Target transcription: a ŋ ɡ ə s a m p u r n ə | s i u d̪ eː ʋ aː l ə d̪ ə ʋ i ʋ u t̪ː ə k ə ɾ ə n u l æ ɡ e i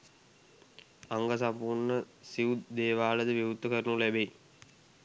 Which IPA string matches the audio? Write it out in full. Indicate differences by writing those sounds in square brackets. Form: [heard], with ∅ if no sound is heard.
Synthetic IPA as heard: a ŋ ɡ ə s a m p u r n ə | s i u d̪ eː ʋ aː l ə d̪ ə ʋ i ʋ u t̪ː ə k ə ɾ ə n u l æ [b] e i